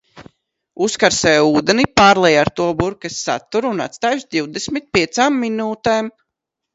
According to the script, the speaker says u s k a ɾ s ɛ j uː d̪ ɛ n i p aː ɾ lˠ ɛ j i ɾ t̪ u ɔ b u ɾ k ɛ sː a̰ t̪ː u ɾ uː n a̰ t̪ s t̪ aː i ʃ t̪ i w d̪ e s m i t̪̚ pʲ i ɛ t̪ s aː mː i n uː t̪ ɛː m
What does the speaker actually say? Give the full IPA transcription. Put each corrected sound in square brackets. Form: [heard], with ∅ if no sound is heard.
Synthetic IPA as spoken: u s k a ɾ s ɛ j uː d̪ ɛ n i p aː ɾ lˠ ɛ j [a] ɾ t̪ u ɔ b u ɾ k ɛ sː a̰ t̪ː u ɾ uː n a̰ t̪ s t̪ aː [j] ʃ [d̪] i w d̪ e s m i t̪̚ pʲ i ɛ t̪ s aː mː i n uː t̪ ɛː m